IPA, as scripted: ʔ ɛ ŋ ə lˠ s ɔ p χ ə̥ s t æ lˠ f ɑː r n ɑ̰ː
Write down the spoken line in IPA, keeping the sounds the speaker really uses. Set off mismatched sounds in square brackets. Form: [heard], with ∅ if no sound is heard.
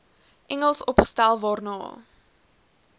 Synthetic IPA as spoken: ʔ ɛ ŋ ə lˠ s ɔ p χ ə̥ s t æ lˠ [v] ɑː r n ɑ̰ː